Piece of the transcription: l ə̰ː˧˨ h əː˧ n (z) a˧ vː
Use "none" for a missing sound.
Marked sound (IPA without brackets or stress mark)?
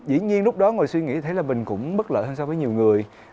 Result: s